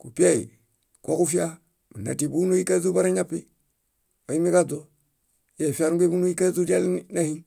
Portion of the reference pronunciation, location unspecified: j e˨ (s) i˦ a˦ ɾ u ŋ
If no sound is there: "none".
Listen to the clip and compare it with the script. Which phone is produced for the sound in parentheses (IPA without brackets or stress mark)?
f